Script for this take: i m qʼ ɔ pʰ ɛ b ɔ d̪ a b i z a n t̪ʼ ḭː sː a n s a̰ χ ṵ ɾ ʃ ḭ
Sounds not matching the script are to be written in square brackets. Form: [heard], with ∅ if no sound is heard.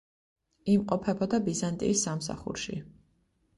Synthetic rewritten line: i m qʼ ɔ pʰ ɛ b ɔ d̪ a b i z a n t̪ʼ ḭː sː a [m] s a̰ χ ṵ ɾ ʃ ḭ